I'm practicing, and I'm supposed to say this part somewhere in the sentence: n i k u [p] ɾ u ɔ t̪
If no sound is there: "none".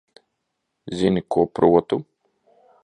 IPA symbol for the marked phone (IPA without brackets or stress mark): p